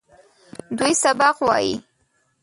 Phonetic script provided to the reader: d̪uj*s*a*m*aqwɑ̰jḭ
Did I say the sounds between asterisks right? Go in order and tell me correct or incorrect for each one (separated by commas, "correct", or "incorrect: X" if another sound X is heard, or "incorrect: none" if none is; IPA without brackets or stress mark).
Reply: correct, incorrect: b